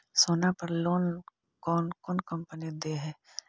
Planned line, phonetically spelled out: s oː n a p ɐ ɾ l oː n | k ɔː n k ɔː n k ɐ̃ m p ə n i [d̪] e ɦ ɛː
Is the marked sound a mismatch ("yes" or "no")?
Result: no